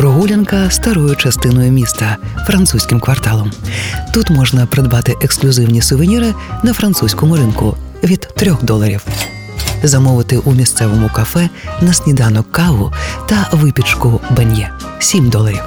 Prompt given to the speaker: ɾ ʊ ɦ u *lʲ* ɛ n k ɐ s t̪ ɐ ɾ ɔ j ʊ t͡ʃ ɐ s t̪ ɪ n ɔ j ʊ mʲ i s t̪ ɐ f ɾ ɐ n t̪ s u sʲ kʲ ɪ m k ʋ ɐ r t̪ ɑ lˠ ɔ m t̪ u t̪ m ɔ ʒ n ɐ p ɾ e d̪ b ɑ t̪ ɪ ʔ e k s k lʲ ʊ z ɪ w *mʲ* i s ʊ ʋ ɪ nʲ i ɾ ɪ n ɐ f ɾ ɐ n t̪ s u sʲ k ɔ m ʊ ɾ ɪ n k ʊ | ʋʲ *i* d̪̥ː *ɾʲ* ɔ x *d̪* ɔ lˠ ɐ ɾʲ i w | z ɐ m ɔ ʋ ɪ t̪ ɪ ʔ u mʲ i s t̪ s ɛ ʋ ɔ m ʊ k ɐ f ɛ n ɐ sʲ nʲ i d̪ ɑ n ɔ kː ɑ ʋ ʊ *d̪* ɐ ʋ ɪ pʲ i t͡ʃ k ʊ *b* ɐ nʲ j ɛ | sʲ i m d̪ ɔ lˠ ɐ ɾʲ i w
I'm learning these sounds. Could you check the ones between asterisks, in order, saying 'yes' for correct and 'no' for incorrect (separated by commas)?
yes, no, yes, yes, yes, no, yes